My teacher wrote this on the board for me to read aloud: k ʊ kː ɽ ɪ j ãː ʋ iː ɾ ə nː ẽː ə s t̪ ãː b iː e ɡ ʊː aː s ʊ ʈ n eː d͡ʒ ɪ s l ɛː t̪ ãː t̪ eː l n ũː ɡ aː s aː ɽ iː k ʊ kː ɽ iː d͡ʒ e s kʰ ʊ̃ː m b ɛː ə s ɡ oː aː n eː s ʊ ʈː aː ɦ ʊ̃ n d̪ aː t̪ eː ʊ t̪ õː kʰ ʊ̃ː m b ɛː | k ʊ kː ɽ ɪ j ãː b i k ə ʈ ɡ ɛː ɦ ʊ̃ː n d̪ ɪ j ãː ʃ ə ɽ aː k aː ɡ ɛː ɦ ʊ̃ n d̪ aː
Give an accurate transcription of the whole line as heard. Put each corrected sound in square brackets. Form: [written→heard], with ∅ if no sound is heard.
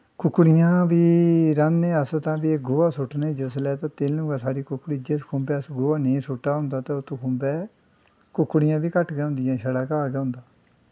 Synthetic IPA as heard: k ʊ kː ɽ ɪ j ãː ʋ iː ɾ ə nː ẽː ə s t̪ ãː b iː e ɡ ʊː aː s ʊ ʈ n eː d͡ʒ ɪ s l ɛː t̪ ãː t̪ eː l n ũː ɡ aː s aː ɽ iː k ʊ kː ɽ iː d͡ʒ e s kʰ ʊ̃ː m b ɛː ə s ɡ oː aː n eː s ʊ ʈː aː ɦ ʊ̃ n d̪ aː t̪ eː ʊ t̪ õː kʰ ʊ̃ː m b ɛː | k ʊ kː ɽ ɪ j ãː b [i→iː] k ə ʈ ɡ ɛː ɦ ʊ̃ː n d̪ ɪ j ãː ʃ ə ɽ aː k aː ɡ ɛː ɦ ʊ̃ n d̪ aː